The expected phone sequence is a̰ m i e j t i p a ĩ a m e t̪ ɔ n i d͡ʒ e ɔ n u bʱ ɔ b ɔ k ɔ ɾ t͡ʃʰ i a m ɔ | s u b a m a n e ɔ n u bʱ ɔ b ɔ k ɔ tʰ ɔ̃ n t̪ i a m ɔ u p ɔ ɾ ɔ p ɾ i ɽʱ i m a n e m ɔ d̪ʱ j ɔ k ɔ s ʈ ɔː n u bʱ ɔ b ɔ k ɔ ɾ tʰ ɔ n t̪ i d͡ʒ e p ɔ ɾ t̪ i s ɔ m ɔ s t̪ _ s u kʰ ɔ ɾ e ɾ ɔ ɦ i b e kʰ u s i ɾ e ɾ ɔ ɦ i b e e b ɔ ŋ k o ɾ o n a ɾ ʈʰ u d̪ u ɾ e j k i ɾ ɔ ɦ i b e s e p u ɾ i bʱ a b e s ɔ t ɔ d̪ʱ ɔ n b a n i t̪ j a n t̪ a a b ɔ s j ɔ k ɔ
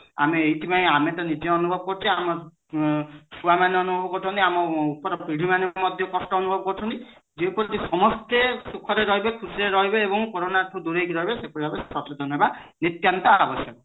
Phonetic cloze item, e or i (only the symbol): e